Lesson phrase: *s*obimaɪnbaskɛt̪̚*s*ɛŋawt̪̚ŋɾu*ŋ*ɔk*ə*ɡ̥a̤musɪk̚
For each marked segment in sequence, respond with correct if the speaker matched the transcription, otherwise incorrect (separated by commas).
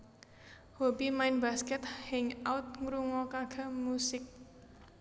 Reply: incorrect, incorrect, correct, incorrect